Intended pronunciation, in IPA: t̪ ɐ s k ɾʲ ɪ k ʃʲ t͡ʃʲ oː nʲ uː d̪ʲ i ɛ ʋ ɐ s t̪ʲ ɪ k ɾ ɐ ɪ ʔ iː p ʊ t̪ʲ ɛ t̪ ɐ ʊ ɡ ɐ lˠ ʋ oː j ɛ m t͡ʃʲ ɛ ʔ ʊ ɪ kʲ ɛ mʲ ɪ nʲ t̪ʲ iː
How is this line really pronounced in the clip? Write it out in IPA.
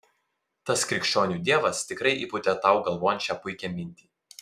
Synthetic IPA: t̪ ɐ s k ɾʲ ɪ k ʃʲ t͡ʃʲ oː nʲ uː d̪ʲ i ɛ ʋ ɐ s t̪ʲ ɪ k ɾ ɐ ɪ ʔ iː p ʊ t̪ʲ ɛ t̪ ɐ ʊ ɡ ɐ lˠ ʋ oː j ɛ n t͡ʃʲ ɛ p ʊ ɪ kʲ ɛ mʲ ɪ nʲ t̪ʲ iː